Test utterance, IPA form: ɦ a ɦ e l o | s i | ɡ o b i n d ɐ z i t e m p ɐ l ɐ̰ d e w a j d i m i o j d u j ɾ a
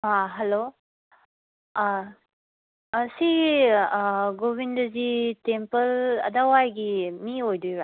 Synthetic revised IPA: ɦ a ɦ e l o | s i | ɡ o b i n d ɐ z i t e m p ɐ l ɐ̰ d a w a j ɡ i m i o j d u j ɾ a